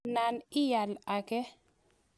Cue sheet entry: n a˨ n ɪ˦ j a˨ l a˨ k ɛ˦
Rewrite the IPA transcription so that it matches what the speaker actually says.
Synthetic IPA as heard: n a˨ n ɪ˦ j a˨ l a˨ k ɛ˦